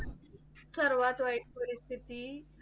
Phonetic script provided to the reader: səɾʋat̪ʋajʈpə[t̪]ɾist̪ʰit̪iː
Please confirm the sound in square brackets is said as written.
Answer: no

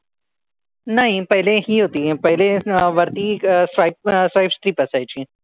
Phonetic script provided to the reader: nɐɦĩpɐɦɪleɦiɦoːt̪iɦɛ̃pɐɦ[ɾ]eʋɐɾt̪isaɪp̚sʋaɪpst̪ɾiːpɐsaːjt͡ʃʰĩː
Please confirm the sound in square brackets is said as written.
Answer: no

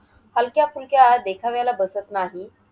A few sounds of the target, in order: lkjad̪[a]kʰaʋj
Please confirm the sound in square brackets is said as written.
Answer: no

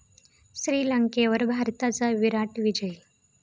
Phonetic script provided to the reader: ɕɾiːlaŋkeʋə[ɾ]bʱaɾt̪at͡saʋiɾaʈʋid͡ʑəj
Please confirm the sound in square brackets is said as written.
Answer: yes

